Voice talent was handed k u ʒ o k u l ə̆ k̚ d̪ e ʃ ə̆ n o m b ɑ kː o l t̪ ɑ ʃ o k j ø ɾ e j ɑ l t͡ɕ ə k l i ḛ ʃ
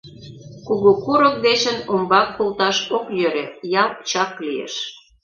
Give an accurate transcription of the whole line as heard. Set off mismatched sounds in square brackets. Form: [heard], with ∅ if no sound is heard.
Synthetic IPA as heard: k u [ɣ] o k u [ɾ] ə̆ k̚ d̪ e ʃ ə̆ n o m b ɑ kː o l t̪ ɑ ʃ o k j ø ɾ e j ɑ l t͡ɕ [ɑ] k l i ḛ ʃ